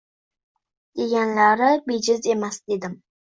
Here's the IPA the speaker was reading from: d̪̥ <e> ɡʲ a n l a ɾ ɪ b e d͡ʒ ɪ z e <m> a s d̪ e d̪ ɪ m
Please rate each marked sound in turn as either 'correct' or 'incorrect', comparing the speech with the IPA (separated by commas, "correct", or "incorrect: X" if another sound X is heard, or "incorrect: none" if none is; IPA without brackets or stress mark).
correct, correct